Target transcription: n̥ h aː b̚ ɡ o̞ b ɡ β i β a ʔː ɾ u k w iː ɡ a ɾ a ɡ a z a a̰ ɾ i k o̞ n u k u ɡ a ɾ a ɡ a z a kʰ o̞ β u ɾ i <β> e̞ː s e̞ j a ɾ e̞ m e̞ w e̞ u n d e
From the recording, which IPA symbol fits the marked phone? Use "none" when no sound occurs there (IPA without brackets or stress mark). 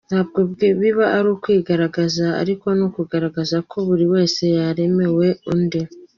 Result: w